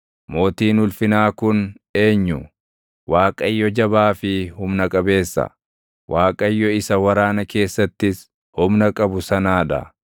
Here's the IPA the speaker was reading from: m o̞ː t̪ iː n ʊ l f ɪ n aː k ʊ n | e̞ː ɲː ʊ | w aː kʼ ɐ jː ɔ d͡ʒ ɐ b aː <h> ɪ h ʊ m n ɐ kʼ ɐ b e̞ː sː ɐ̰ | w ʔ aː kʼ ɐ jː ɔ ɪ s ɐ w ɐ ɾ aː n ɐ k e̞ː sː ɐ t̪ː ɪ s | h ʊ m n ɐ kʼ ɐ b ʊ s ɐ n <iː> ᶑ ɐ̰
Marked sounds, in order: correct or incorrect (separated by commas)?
incorrect, incorrect